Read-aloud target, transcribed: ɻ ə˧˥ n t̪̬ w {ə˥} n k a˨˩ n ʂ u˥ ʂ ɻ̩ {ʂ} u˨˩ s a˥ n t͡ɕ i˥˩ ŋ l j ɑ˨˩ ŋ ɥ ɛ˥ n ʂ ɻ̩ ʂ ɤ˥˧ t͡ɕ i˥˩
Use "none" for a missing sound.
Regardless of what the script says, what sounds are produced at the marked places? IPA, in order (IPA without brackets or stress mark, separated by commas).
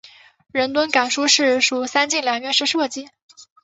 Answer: ə˥, ʂ